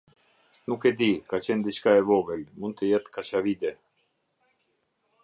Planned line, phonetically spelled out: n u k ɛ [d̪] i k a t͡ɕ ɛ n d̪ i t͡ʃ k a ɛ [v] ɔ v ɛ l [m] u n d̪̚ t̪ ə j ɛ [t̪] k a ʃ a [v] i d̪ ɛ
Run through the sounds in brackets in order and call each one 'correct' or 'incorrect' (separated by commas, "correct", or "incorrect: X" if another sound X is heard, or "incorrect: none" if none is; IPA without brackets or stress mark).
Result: correct, correct, correct, correct, correct